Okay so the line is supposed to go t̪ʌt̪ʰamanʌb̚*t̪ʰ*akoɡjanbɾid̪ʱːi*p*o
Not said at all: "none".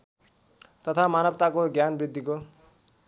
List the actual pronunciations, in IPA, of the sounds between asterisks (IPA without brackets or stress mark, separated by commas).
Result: t̪, k